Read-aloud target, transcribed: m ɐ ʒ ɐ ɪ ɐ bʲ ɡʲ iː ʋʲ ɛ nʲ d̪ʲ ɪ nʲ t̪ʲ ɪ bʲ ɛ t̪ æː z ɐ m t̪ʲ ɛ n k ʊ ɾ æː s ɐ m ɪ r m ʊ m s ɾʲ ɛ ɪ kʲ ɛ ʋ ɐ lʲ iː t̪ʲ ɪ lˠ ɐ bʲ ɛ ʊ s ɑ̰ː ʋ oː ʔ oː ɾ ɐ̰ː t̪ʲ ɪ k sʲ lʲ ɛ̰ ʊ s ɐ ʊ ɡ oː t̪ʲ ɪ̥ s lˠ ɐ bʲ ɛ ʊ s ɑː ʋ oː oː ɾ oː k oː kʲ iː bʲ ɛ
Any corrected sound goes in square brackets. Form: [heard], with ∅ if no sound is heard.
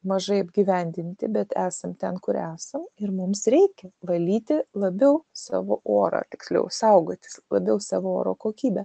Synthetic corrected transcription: m ɐ ʒ ɐ ɪ ɐ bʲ ɡʲ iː ʋʲ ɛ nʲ d̪ʲ ɪ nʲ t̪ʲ ɪ bʲ ɛ t̪ æː [s] ɐ m t̪ʲ ɛ n k ʊ ɾ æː s ɐ m ɪ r m ʊ m s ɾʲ ɛ ɪ kʲ ɛ ʋ ɐ lʲ iː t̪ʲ ɪ lˠ ɐ bʲ ɛ ʊ s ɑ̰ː ʋ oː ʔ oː ɾ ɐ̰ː t̪ʲ ɪ k sʲ lʲ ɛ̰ ʊ s ɐ ʊ ɡ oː t̪ʲ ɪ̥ s lˠ ɐ bʲ ɛ ʊ s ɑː ʋ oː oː ɾ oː k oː kʲ iː bʲ ɛ

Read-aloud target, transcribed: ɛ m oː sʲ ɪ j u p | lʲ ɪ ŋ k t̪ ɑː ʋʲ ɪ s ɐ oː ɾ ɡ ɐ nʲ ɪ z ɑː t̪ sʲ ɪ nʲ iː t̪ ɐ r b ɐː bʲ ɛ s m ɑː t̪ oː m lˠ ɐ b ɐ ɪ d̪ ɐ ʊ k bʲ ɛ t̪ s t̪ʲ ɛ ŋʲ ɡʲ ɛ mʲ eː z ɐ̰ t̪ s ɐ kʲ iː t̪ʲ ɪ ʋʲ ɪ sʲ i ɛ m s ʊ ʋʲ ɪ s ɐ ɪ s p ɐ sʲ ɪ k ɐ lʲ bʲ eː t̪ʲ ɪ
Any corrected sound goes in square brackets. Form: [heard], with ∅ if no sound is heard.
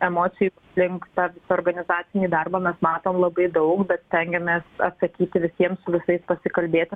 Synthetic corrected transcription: ɛ m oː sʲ ɪ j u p | lʲ ɪ ŋ k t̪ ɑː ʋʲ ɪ s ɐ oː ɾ ɡ ɐ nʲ ɪ z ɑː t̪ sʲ ɪ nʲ iː [d̪] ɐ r b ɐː [mʲ] ɛ s m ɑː t̪ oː m lˠ ɐ b ɐ ɪ d̪ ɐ ʊ k bʲ ɛ t̪ s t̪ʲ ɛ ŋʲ ɡʲ ɛ mʲ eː [s] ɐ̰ t̪ s ɐ kʲ iː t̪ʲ ɪ ʋʲ ɪ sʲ i ɛ m s ʊ ʋʲ ɪ s ɐ ɪ s p ɐ sʲ ɪ k ɐ lʲ bʲ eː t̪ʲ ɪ

